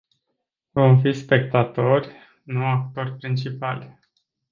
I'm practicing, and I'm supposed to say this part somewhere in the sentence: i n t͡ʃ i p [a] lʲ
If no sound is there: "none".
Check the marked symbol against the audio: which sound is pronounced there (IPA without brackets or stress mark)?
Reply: a